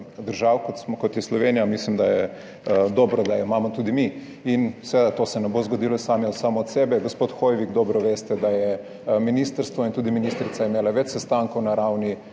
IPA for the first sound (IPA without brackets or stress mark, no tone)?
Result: d̪